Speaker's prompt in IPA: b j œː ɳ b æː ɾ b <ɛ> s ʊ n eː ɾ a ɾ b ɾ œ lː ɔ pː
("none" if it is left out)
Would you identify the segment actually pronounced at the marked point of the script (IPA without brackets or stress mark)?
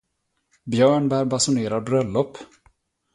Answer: a